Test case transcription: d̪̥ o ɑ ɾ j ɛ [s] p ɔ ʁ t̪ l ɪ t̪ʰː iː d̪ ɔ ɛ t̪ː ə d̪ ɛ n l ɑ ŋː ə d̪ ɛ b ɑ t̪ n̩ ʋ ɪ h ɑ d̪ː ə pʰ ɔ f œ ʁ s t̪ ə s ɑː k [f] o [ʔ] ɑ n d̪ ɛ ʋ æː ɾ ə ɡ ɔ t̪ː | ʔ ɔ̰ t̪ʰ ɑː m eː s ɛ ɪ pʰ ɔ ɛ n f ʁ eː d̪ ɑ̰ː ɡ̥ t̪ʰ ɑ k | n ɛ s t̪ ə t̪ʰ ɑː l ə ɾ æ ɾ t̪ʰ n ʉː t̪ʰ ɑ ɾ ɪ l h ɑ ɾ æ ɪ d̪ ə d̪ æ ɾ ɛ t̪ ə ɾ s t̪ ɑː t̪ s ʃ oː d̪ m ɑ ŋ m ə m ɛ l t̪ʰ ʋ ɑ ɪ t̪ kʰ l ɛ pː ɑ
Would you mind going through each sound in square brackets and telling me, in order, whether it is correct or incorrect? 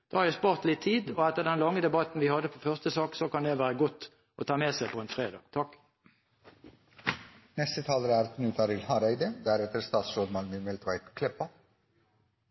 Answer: correct, incorrect: s, incorrect: k

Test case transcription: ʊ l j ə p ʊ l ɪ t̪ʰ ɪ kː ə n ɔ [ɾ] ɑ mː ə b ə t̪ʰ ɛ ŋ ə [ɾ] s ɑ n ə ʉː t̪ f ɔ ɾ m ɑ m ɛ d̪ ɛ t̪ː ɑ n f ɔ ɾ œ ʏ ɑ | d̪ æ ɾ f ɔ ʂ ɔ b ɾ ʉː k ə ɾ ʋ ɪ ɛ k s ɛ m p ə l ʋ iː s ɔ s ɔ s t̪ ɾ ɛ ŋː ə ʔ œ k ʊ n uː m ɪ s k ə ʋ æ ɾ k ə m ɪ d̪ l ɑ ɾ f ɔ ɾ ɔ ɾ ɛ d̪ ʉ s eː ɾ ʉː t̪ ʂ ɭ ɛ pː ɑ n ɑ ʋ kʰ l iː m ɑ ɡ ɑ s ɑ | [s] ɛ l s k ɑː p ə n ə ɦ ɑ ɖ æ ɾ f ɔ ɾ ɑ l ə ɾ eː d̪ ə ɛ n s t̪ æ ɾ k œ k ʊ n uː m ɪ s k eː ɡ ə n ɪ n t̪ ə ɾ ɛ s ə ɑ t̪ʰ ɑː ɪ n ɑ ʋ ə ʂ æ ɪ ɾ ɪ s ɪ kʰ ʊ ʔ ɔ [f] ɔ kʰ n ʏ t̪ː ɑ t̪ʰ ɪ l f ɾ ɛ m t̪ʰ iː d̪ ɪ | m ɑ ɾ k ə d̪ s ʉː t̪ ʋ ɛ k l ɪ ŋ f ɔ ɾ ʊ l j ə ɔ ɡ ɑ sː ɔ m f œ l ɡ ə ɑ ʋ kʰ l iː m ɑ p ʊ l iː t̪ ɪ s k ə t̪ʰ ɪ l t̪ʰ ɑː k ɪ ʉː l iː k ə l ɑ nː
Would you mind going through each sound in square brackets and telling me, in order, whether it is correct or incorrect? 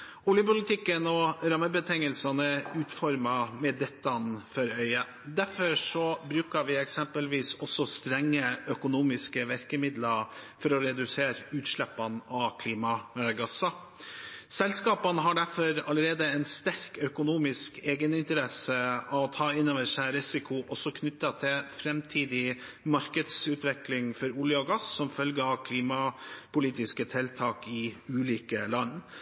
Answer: correct, incorrect: l, correct, incorrect: s

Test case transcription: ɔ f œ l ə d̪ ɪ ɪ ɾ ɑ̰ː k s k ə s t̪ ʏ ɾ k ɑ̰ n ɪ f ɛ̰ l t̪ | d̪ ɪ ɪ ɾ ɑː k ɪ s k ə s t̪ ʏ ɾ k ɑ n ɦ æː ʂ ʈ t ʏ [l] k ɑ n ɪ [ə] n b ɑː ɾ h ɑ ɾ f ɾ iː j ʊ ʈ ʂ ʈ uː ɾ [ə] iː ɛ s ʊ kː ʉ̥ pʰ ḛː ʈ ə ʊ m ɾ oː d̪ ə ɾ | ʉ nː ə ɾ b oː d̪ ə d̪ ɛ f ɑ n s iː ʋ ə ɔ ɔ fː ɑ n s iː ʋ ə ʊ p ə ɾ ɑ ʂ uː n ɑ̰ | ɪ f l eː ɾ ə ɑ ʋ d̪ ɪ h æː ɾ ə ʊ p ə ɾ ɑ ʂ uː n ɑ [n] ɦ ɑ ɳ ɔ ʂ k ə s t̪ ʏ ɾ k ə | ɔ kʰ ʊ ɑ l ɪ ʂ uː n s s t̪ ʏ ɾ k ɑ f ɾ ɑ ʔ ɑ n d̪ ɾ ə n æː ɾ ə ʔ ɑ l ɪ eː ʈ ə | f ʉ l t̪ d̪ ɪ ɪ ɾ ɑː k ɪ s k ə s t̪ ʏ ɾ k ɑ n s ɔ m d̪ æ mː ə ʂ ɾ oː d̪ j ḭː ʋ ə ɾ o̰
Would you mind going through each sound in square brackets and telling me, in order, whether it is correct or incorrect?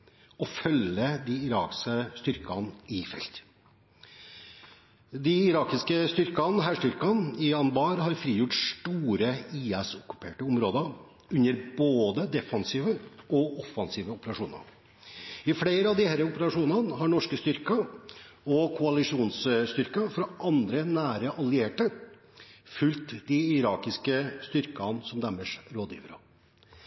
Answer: incorrect: ɾ, incorrect: ɑ, correct, correct

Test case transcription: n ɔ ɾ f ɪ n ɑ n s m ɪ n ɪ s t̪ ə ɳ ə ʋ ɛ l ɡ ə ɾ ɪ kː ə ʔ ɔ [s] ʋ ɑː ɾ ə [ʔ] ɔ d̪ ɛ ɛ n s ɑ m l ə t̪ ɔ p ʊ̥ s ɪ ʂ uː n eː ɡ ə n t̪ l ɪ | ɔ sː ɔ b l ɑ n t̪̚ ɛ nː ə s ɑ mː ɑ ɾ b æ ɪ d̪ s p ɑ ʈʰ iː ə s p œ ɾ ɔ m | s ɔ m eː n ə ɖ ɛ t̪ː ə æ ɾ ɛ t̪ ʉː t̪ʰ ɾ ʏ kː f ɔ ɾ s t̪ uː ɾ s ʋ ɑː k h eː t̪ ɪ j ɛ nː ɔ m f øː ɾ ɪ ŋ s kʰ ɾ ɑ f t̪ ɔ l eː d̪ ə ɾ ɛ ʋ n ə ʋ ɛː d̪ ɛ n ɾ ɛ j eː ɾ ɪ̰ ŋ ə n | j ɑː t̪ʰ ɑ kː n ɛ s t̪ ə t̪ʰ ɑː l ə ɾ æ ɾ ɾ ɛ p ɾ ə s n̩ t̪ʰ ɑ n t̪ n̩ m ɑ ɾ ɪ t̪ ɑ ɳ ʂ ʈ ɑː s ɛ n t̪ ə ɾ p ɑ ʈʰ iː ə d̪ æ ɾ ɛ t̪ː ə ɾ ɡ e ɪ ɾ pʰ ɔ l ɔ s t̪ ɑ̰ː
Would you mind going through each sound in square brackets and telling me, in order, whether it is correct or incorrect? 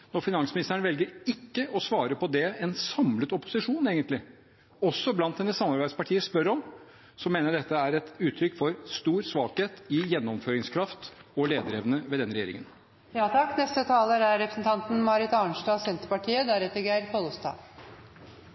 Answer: correct, incorrect: p

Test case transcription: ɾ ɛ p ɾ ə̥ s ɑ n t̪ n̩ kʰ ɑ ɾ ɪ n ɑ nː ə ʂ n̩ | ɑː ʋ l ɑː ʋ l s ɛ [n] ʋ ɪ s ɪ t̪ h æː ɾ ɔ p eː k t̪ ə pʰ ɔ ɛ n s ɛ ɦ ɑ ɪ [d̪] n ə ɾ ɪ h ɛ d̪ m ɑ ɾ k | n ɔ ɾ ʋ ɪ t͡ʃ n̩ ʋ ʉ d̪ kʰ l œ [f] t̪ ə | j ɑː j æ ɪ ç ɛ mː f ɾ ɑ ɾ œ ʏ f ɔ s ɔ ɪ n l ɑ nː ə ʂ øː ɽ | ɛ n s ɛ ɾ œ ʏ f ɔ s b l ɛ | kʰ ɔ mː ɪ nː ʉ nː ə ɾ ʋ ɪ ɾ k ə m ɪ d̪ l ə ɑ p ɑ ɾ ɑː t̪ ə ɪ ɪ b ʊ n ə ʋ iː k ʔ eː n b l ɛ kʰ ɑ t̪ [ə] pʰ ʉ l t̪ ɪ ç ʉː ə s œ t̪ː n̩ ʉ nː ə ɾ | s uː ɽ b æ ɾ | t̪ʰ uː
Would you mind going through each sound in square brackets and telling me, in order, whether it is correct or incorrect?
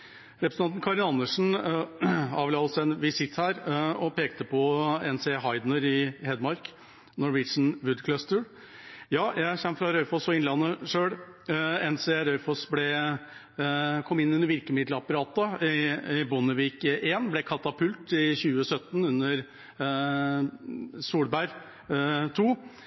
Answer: correct, correct, incorrect: s, incorrect: ɑ

